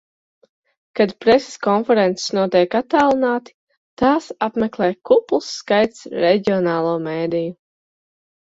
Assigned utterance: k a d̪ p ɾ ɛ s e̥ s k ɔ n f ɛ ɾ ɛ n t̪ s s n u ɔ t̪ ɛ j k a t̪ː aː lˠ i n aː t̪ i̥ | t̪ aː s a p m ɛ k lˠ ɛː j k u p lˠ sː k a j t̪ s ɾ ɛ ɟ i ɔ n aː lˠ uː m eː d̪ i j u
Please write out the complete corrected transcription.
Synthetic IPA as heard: k a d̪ p ɾ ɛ s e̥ s k ɔ n f ɛ ɾ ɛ n t̪ s s n u ɔ t̪ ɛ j k a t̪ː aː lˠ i n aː t̪ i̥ | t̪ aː s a p m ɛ k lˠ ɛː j k u p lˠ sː k a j t̪ s ɾ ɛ ɟ i ɔ n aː lˠ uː m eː d̪ i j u